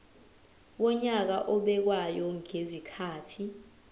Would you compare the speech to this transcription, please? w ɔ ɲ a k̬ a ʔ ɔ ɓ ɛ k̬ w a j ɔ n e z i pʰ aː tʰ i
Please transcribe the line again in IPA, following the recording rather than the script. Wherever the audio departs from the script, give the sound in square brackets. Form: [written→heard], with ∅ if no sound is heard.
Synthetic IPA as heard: w ɔ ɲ a k̬ a ʔ ɔ ɓ ɛ k̬ w a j ɔ [n→ŋ] e z i [pʰ→kʰ] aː tʰ i

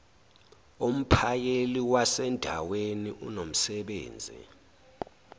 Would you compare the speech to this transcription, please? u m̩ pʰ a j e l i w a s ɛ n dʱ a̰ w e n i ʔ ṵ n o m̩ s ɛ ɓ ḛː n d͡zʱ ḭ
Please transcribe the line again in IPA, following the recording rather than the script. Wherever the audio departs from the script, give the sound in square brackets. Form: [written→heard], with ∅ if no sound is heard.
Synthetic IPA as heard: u m̩ pʰ a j e l i w a s ɛ n dʱ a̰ w e n i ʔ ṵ n o m̩ s ɛ ɓ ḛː n d͡zʱ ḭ

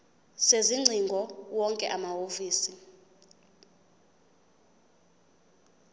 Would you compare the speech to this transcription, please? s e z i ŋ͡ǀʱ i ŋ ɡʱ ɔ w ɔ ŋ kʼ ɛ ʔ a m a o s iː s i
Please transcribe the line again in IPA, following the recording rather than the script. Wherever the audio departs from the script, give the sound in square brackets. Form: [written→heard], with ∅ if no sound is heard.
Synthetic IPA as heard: s e z i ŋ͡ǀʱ i ŋ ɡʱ ɔ w ɔ ŋ kʼ ɛ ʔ a m a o [s→f] iː s i

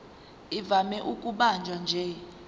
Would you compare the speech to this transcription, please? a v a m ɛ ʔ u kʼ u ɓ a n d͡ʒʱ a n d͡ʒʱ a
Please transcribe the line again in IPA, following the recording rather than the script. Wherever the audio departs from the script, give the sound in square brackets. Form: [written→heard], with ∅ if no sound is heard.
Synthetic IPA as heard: [a→i] v a m ɛ ʔ u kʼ u ɓ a n d͡ʒʱ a n d͡ʒʱ [a→ɛ]

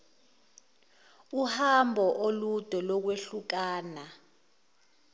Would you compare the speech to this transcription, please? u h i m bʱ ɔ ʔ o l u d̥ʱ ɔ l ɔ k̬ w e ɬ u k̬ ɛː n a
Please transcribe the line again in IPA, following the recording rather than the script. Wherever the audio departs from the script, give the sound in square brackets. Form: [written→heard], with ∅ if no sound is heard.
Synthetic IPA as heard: u h [i→a] m bʱ ɔ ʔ o l u d̥ʱ ɔ l ɔ k̬ w e ɬ u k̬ [ɛː→aː] n a

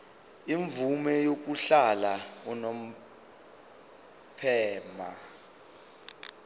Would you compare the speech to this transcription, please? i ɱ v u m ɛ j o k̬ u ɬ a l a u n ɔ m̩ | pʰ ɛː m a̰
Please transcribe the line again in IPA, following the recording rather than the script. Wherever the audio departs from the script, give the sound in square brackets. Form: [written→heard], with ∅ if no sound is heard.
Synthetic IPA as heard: i ɱ v u m ɛ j o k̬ u ɬ a l a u n [ɔ→o] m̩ | pʰ ɛː m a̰

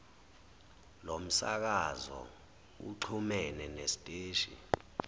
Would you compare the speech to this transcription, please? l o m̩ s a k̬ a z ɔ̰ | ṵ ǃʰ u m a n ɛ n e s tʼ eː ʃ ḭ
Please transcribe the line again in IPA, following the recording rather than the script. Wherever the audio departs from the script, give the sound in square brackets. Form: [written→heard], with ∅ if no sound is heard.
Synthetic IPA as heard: l o m̩ s a k̬ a z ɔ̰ | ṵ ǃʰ u m [a→ɛ] n ɛ n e s tʼ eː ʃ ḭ

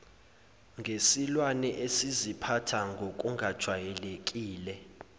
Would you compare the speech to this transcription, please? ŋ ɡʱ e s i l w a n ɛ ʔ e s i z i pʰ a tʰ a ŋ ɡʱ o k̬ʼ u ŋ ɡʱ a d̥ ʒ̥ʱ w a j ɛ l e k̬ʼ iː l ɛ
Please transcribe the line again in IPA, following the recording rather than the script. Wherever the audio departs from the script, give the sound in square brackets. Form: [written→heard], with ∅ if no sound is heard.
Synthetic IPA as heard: ŋ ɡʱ e s i l w a n ɛ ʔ e s i z i pʰ a tʰ a ŋ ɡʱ o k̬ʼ u ŋ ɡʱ a d̥ ʒ̥ʱ w a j ɛ l e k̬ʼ iː l ɛ

